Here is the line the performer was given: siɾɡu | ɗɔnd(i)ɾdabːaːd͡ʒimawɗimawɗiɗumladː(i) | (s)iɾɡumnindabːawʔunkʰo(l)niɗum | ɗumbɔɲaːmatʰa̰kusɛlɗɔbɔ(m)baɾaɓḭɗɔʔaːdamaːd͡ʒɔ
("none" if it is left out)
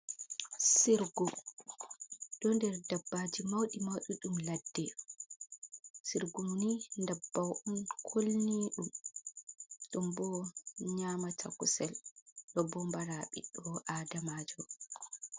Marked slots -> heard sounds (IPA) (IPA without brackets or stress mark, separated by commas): ɛ, ɛ, s, l, m